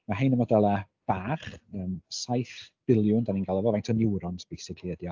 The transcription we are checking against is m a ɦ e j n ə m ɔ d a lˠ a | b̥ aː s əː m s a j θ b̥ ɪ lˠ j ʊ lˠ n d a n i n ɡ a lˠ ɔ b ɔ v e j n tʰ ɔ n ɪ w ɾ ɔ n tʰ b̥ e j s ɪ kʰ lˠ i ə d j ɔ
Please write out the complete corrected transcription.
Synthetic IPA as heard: m a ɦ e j n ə m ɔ d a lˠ a | b̥ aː χ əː m s a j θ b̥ ɪ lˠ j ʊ n d a n i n ɡ a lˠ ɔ v ɔ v a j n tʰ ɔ n ɪ w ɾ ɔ n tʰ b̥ e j s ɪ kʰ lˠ i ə d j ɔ